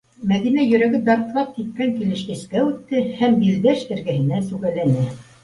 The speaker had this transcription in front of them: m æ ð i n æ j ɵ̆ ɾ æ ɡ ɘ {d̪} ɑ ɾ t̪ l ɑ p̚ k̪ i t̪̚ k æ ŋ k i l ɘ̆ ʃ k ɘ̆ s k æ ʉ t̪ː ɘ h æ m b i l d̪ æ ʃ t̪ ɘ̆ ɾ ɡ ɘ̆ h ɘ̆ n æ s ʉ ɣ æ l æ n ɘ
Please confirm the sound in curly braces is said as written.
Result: yes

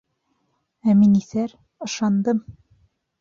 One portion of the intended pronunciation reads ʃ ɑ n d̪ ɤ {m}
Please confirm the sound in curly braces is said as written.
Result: yes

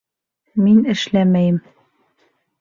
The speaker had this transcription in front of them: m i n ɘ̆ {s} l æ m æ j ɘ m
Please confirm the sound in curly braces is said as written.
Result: no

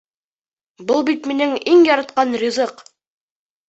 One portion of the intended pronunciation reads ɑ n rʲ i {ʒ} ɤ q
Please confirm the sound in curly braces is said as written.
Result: no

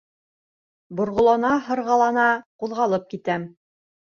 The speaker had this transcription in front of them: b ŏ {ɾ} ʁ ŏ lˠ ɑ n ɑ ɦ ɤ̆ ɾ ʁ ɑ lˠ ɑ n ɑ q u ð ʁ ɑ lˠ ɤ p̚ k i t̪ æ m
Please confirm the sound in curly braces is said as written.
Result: yes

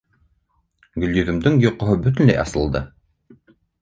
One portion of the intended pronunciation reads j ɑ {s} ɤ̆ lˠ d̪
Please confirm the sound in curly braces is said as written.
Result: yes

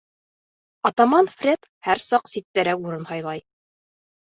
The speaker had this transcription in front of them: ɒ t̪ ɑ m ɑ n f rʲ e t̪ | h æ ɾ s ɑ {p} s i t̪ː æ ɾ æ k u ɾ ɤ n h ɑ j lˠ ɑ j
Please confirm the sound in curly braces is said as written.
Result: no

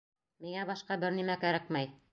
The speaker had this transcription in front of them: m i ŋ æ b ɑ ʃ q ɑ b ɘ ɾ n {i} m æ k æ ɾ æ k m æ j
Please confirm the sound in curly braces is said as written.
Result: yes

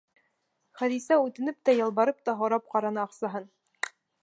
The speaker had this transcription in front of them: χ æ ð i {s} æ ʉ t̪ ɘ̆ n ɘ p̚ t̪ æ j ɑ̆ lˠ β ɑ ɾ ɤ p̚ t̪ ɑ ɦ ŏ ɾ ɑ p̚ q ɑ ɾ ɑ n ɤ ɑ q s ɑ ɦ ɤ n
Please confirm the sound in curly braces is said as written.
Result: yes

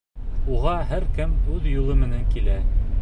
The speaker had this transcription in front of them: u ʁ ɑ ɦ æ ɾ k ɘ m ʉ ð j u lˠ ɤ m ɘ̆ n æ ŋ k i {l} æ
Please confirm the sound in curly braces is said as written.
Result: yes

